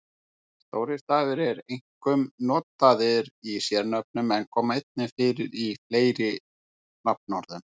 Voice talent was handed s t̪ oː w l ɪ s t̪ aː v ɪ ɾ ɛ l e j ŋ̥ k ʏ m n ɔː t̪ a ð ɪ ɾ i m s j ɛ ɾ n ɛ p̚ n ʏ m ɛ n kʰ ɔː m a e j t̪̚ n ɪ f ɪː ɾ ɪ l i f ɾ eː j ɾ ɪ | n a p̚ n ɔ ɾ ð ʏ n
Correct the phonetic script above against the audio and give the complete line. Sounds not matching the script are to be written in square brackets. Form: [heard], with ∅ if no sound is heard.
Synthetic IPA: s t̪ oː w [ɾ] ɪ s t̪ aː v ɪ ɾ ɛ [ɾ] e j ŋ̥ k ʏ m n ɔː t̪ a ð ɪ ɾ i [∅] s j ɛ ɾ n [œ] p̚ n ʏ m ɛ n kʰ ɔː m a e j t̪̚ n ɪ f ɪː ɾ ɪ [ɾ] i f [l] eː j ɾ ɪ | n a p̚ n ɔ ɾ ð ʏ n